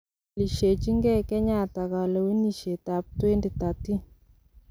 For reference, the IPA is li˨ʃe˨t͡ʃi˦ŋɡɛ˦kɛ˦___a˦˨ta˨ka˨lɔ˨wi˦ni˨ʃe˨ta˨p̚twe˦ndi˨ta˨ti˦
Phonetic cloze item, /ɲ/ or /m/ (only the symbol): ɲ